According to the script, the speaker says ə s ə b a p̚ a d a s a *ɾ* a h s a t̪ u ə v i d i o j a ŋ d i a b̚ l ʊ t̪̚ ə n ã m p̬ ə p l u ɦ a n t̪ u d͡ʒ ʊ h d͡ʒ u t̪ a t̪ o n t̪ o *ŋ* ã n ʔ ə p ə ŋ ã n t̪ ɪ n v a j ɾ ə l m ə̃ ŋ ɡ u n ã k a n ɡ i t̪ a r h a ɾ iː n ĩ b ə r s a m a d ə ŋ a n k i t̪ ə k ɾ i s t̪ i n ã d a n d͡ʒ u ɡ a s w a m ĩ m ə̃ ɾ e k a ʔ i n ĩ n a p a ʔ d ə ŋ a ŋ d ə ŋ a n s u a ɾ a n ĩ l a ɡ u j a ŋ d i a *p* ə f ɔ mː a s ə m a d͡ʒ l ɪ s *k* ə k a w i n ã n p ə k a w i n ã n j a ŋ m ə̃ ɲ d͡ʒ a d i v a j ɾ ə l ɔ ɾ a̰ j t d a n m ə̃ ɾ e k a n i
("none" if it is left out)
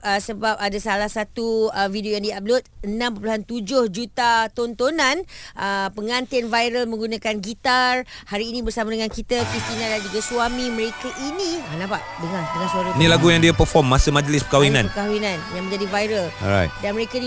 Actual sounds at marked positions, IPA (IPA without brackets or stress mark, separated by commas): l, n, p, p